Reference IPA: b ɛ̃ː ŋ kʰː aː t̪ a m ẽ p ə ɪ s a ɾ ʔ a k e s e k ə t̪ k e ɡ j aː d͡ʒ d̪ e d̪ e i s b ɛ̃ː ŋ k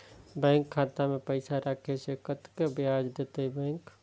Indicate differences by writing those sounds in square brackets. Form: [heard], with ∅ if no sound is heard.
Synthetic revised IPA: b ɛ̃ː ŋ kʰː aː t̪ a m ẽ p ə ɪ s a ɾ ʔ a [kʰ] e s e k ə t̪ k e [b] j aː d͡ʒ d̪ e [t̪] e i [∅] b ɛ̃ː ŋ k